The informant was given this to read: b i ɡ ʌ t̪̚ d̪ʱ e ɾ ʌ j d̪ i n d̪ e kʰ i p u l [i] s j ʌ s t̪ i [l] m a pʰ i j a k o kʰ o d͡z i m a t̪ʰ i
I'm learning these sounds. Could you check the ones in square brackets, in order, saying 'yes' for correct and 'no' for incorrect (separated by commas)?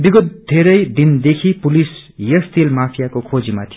yes, yes